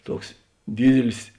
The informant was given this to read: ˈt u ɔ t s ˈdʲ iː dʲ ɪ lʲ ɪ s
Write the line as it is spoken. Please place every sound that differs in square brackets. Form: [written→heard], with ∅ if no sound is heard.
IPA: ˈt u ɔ [t→k] s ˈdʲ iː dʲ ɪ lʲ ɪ s